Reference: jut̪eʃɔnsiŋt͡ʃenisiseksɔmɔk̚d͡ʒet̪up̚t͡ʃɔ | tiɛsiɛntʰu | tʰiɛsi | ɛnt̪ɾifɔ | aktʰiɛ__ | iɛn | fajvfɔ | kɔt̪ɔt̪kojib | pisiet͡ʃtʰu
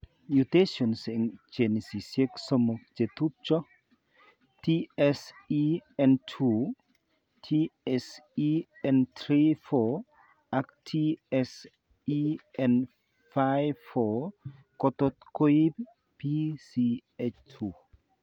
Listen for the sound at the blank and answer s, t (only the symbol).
s